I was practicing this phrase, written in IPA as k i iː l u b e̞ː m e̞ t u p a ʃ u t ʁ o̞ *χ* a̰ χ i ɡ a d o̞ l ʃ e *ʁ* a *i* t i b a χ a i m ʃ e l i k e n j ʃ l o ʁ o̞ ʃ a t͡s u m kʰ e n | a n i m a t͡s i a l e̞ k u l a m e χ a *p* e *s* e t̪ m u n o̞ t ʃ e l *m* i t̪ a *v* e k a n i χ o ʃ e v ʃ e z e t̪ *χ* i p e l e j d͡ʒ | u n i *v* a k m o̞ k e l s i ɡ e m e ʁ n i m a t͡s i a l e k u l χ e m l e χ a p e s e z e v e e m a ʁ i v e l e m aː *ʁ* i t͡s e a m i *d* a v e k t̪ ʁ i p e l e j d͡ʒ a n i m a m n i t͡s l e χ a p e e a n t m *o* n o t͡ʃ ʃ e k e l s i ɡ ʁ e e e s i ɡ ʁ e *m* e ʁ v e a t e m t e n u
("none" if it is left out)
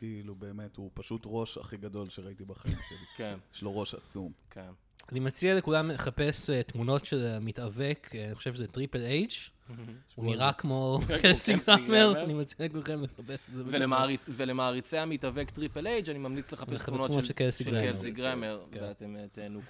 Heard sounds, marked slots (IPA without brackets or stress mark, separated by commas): ʃ, ʁ, i, p, s, m, v, ʁ, ʁ, ʁ, t, u, m